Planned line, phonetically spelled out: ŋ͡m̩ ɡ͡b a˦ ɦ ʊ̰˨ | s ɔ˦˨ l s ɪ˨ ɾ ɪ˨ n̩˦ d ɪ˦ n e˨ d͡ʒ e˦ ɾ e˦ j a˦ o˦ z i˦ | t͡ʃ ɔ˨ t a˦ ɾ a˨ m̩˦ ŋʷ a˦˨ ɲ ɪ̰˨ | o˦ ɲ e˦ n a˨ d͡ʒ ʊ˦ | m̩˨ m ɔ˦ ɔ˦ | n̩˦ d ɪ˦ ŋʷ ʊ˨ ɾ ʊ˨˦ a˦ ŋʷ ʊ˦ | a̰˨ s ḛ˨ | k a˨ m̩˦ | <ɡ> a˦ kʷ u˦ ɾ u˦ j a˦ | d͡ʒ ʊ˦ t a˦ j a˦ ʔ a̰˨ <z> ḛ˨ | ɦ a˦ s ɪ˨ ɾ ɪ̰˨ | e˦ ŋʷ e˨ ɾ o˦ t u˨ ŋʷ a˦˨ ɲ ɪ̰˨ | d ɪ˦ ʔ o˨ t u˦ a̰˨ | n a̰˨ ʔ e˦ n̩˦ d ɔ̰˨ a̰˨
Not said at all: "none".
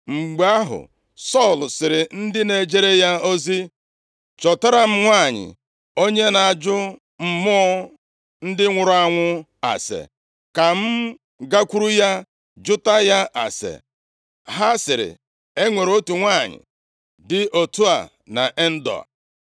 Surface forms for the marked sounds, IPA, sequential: ɡ, s

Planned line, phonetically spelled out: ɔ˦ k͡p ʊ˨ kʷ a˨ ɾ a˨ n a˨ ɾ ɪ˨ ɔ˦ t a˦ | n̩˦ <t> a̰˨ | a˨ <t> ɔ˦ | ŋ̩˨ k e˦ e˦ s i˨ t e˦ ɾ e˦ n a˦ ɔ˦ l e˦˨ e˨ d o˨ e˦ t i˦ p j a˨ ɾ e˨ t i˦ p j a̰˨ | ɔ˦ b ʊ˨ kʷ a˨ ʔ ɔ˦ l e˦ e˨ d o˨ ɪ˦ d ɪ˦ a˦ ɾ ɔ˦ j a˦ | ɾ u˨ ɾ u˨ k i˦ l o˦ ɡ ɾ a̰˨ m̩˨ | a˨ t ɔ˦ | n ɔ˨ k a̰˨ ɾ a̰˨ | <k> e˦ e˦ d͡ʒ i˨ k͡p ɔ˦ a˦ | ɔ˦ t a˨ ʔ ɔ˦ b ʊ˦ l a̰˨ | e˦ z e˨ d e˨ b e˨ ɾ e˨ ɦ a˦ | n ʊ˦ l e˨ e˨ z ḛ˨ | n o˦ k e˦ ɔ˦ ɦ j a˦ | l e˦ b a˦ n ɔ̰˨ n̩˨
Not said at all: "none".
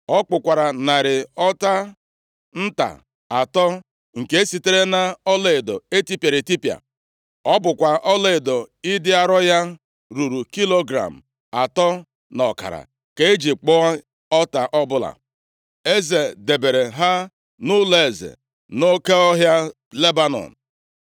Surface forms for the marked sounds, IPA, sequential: t, t, k

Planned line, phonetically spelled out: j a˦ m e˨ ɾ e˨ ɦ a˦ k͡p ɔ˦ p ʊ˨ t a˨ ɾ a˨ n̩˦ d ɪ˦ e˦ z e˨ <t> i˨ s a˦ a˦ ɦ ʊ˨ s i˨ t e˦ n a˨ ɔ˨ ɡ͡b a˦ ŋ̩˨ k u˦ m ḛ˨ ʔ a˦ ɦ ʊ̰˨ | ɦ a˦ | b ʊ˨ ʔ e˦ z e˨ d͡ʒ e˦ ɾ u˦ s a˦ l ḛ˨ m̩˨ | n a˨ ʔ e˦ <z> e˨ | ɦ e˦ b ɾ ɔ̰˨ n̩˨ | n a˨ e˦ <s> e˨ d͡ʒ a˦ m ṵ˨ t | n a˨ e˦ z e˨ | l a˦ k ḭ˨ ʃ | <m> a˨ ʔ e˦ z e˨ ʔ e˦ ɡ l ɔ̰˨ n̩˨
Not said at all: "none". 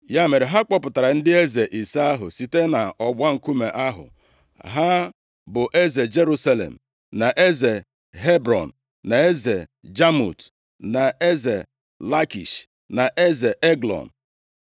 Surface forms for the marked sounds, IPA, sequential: ʔ, z, z, n

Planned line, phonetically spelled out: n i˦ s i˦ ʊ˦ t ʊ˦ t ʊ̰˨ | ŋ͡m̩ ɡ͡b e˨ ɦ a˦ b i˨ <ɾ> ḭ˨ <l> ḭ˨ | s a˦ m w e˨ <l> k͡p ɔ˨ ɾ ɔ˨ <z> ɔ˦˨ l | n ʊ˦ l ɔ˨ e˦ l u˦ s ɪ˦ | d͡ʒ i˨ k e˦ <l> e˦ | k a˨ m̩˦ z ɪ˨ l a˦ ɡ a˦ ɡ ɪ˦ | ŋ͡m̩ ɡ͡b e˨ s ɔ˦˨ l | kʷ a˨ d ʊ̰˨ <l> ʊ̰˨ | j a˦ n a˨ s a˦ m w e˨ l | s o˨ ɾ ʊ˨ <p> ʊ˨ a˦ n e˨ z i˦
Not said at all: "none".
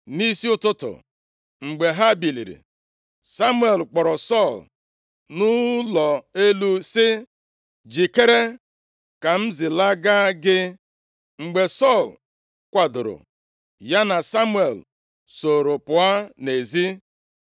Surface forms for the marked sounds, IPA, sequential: l, ɾ, l, s, ɾ, ɾ, p

